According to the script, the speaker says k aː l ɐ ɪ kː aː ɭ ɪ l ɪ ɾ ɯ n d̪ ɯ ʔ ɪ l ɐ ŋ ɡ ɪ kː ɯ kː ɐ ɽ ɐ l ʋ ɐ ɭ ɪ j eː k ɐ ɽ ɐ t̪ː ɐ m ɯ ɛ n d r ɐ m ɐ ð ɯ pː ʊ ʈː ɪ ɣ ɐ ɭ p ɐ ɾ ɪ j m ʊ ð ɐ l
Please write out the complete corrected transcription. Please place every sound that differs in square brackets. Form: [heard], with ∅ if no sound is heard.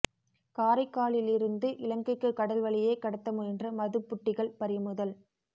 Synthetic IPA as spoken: k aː [ɾ] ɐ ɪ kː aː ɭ ɪ l ɪ ɾ ɯ n d̪ ɯ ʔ ɪ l ɐ ŋ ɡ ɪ kː ɯ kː ɐ ɽ ɐ l ʋ ɐ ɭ ɪ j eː k ɐ ɽ ɐ t̪ː ɐ m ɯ ɛ n d r ɐ m ɐ ð ɯ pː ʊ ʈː ɪ ɣ ɐ ɭ p ɐ ɾ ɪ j m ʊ ð ɐ l